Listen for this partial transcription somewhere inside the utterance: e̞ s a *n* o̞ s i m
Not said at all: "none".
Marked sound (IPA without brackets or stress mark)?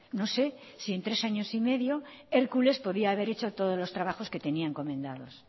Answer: ɲ